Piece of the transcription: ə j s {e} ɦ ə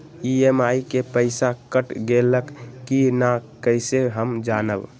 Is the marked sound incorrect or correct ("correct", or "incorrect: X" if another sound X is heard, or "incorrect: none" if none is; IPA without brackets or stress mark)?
correct